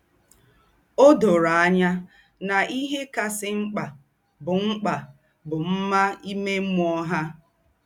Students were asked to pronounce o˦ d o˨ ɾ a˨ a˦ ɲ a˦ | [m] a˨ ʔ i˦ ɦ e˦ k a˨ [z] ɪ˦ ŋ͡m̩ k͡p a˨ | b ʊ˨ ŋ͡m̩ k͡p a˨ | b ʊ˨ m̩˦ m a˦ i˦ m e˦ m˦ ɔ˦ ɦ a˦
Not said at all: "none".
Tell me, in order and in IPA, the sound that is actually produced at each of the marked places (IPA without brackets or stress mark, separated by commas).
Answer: n, s